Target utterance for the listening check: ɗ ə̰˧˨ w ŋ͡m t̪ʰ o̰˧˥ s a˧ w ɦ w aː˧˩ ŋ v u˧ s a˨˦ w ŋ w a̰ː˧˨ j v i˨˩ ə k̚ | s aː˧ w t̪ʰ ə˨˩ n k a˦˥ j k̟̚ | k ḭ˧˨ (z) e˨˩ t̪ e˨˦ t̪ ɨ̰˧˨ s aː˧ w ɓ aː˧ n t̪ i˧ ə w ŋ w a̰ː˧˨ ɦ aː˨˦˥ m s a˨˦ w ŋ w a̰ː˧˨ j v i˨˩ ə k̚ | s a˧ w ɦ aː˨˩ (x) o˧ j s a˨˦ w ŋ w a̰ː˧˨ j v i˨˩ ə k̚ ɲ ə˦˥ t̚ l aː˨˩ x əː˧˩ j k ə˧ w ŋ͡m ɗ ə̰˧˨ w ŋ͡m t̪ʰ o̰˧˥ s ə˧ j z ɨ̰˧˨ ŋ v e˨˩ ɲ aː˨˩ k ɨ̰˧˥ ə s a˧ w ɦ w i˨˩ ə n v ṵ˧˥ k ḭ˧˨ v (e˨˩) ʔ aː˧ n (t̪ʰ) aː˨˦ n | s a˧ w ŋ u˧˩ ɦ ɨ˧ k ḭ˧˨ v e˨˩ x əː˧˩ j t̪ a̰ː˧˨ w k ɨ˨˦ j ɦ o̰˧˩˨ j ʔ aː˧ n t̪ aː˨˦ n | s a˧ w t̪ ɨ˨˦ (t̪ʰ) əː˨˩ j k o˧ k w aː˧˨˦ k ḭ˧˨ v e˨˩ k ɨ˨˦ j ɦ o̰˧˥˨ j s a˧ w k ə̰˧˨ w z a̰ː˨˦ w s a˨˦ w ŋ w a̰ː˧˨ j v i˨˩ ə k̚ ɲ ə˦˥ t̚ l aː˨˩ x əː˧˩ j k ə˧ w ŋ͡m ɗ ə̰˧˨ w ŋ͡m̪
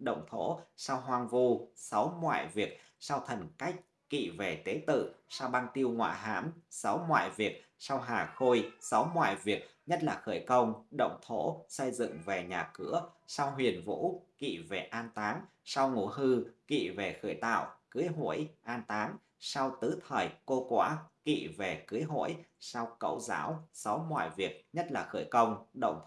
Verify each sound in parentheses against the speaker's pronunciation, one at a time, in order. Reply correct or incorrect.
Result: incorrect: v, correct, correct, incorrect: t̪, correct

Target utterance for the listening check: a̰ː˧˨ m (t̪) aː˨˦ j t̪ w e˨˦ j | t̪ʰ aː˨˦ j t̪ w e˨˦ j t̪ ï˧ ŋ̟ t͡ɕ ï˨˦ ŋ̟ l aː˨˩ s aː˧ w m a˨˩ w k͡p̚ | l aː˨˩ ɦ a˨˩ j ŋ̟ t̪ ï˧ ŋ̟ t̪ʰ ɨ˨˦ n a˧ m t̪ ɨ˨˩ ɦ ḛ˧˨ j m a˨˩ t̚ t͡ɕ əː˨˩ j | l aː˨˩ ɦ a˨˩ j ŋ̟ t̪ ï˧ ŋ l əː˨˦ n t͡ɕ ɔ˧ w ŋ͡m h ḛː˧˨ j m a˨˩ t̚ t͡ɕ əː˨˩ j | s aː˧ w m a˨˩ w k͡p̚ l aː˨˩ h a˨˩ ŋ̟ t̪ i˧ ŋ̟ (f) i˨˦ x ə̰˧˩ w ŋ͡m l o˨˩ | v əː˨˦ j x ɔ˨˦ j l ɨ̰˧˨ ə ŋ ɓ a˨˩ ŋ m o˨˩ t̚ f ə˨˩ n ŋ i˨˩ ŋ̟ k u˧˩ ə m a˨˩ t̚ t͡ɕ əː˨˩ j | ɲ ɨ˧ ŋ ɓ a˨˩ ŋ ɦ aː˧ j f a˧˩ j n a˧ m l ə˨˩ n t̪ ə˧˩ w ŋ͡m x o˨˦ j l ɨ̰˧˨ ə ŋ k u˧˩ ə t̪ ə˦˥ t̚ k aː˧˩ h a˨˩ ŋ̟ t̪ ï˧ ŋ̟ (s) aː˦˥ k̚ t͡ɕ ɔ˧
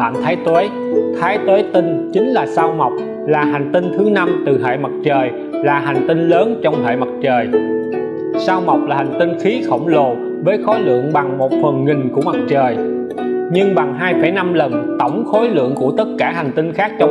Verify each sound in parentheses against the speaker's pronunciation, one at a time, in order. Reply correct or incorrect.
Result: incorrect: t̪ʰ, incorrect: x, incorrect: x

